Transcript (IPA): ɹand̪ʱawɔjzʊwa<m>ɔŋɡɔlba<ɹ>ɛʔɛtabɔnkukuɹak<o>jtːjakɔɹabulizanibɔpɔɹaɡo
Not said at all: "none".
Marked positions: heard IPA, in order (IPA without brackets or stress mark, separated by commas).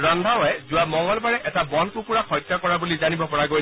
m, ɹ, ɔ